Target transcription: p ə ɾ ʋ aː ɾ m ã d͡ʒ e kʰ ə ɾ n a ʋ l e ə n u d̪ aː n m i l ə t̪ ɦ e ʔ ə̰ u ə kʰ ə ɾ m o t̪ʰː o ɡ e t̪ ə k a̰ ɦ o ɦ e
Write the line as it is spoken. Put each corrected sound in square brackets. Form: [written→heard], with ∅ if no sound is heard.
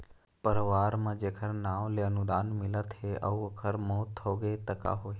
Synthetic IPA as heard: p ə ɾ ʋ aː ɾ m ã d͡ʒ e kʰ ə ɾ n a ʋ l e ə n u d̪ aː n m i l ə t̪ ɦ e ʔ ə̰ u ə kʰ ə ɾ m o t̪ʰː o ɡ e t̪ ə k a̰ ɦ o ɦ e

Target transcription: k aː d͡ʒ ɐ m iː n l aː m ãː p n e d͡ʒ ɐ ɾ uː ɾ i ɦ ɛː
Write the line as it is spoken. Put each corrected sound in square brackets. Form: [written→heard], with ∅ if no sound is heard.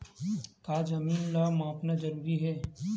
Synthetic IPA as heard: k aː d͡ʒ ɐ m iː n l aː m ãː p n [e→a] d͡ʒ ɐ ɾ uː ɾ i ɦ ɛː

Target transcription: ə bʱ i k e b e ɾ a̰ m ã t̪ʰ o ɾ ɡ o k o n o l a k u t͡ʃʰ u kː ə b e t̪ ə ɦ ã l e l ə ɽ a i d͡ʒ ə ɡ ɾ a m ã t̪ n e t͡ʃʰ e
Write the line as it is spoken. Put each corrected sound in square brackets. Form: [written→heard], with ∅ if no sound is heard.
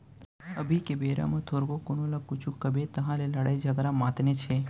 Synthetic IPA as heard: ə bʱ i k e b e ɾ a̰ m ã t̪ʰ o ɾ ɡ o k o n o l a k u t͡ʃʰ u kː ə b e t̪ ə ɦ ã l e l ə ɽ a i d͡ʒ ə ɡ ɾ a m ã t̪ n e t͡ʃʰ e

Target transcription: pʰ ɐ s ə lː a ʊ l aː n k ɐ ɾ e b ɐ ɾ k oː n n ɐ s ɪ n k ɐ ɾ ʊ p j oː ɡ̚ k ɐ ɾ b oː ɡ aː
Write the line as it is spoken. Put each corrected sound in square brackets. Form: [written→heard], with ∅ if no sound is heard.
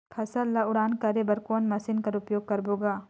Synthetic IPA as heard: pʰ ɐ s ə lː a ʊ [l→ɽ] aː n k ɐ ɾ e b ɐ ɾ k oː n [n→m] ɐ s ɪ n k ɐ ɾ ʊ p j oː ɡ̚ k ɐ ɾ b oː ɡ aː

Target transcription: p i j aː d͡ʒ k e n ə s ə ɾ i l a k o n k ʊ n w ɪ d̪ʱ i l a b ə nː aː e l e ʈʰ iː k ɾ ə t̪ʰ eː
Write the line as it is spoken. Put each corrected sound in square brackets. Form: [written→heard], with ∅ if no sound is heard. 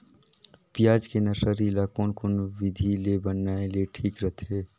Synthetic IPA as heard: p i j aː d͡ʒ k e n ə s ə ɾ i l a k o n k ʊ n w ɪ d̪ʱ i l [a→e] b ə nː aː e l e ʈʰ iː k ɾ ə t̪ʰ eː

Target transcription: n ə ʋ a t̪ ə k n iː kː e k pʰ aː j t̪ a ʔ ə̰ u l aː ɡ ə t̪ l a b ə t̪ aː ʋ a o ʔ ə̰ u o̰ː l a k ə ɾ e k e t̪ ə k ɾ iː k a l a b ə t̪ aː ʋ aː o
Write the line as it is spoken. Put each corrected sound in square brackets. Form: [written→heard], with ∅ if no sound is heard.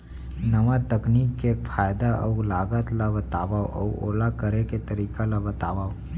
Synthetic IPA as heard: n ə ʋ a t̪ ə k n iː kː e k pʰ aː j [t̪→d̪] a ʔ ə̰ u l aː ɡ ə t̪ l a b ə t̪ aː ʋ a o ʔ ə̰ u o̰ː l a k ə ɾ e k e t̪ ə [k→∅] ɾ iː k a l a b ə t̪ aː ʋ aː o

